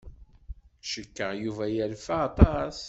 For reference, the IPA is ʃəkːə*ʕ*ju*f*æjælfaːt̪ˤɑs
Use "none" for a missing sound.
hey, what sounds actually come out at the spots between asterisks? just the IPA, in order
ʁ, v

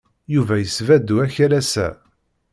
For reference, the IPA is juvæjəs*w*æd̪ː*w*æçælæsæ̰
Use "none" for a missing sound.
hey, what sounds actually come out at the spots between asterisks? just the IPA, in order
v, u

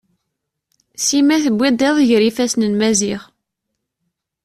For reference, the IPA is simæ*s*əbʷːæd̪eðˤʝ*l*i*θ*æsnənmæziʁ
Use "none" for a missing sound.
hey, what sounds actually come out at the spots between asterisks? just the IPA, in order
θ, ɾ, f

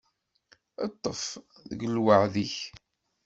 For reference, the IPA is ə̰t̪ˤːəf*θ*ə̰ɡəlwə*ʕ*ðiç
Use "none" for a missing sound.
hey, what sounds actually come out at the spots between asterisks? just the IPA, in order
ð, ʕ

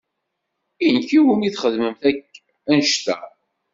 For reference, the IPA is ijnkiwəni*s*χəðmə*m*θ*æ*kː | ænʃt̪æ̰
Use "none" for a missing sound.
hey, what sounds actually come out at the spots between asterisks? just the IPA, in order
θ, m, æ

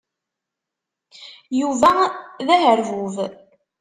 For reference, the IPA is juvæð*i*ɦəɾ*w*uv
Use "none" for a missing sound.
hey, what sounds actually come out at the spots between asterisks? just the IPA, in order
æ, v

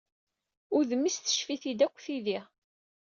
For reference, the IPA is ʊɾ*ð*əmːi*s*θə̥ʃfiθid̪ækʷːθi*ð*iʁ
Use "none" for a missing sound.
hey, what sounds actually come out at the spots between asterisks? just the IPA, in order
ð, s, ð

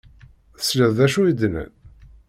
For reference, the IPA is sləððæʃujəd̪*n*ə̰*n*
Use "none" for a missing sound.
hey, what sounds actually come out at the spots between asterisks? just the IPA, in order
n, n

